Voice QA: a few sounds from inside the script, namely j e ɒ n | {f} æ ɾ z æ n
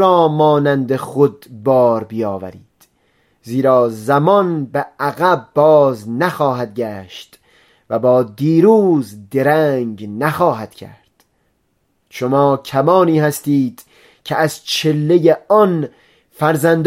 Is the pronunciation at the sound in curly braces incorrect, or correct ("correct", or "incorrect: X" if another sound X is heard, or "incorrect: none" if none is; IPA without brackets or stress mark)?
correct